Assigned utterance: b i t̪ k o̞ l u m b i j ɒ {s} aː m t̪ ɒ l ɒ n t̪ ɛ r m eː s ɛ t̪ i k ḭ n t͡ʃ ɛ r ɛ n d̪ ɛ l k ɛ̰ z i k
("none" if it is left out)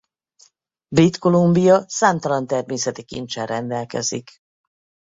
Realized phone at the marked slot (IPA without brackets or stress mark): s